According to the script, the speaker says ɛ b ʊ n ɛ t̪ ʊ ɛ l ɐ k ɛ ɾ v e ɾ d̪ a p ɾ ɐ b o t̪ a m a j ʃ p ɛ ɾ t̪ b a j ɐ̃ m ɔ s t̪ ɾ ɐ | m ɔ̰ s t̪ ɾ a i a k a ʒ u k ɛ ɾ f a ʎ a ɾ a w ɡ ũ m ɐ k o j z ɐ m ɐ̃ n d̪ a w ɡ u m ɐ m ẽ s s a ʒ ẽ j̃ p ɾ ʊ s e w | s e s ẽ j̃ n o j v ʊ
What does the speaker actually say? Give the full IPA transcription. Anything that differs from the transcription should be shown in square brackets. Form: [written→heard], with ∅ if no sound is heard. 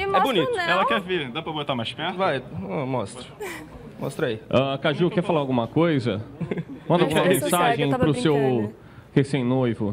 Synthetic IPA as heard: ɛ b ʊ n [ɛ→i] t̪ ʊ ɛ l ɐ k ɛ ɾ v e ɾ d̪ a p ɾ ɐ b o t̪ a m a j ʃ p ɛ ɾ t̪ [b→v] a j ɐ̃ m ɔ s t̪ ɾ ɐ | m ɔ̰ s t̪ ɾ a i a k a ʒ u k ɛ ɾ f a [ʎ→l] a ɾ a w ɡ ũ m ɐ k o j z ɐ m ɐ̃ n d̪ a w ɡ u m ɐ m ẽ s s a ʒ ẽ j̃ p ɾ ʊ s e w | [s→h] e s ẽ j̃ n o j v ʊ

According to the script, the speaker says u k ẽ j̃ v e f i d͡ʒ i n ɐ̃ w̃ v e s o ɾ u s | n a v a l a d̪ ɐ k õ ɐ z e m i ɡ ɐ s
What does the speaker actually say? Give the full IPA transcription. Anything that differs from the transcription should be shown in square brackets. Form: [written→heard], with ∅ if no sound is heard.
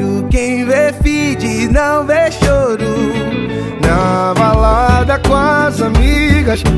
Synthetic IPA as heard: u k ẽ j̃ v e f i d͡ʒ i n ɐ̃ w̃ v e [s→ʃ] o ɾ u [s→∅] | n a v a l a d̪ ɐ k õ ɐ z [e→a] m i ɡ ɐ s

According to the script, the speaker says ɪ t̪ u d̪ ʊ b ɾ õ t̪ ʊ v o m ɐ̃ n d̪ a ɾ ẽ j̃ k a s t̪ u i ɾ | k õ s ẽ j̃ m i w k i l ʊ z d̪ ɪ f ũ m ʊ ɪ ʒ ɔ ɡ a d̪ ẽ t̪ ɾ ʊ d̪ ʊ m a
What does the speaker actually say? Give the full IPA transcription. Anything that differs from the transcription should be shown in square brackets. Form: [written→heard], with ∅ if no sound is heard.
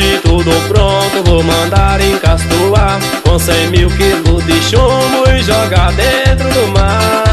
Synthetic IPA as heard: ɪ t̪ u d̪ ʊ [b→p] ɾ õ t̪ ʊ v o m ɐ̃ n d̪ a ɾ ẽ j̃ k a s t̪ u [i→a] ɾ | k õ s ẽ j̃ m i w k i l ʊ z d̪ ɪ [f→ʃ] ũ m ʊ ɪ ʒ ɔ ɡ a d̪ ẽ t̪ ɾ ʊ d̪ ʊ m a

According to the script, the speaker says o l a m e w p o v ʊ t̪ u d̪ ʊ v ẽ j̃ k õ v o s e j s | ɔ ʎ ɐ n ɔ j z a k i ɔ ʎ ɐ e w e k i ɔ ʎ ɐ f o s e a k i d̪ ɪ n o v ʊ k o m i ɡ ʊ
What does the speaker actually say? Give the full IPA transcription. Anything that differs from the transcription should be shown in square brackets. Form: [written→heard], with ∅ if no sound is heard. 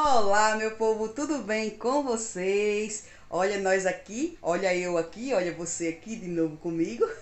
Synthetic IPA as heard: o l a m e w p o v ʊ t̪ u d̪ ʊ [v→b] ẽ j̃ k õ v o s e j s | ɔ ʎ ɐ n ɔ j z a k i ɔ ʎ ɐ e w [e→a] k i ɔ ʎ ɐ [f→v] o s e a k i d̪ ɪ n o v ʊ k [o→õ] m i ɡ ʊ

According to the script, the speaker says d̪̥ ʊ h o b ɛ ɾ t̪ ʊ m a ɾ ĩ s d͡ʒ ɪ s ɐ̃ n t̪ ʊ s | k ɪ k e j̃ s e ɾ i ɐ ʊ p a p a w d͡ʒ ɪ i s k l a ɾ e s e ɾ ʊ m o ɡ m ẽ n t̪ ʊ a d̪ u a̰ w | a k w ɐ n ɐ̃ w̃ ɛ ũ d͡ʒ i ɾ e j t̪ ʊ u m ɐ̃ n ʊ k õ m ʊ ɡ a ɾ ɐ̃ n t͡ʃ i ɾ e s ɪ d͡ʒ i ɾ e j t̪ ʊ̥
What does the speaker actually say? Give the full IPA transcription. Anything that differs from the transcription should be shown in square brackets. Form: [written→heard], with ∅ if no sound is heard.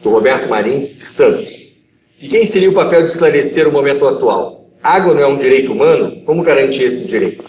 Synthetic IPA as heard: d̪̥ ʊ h o b ɛ ɾ t̪ ʊ m a ɾ ĩ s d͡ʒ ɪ s ɐ̃ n t̪ ʊ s | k ɪ k [e→ẽ] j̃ s e ɾ i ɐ ʊ p a p [a→ɛ] w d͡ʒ ɪ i s k l a ɾ e s e ɾ ʊ m o [ɡ→∅] m ẽ n t̪ ʊ a [d̪→t̪] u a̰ w | a [k→ɡ] w ɐ n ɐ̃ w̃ ɛ ũ d͡ʒ i ɾ e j t̪ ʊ u m ɐ̃ n ʊ k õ m ʊ ɡ a ɾ ɐ̃ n t͡ʃ i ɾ e s ɪ d͡ʒ i ɾ e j t̪ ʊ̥

